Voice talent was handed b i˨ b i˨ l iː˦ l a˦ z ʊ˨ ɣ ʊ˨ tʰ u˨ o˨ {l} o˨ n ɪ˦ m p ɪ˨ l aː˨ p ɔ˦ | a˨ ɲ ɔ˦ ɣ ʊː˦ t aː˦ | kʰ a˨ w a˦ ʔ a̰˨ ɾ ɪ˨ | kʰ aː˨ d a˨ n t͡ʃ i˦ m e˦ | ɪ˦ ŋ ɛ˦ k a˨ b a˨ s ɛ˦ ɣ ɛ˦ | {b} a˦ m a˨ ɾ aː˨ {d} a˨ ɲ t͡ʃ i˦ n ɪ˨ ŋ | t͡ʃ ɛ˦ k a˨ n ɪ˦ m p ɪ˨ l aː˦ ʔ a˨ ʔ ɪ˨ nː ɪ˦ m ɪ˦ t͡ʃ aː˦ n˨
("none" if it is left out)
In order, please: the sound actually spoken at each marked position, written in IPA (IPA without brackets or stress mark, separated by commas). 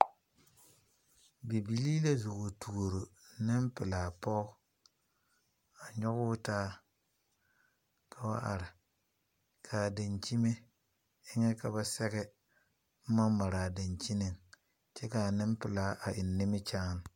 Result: ɾ, m, d